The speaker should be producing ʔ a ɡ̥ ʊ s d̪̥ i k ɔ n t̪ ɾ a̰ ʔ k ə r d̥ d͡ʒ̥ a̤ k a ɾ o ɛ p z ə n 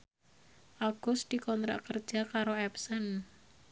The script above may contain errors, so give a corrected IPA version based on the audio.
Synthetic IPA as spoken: ʔ a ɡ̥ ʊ s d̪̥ i k ɔ n t̪ ɾ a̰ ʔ k ə r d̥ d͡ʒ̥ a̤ k a ɾ o ɛ p s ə n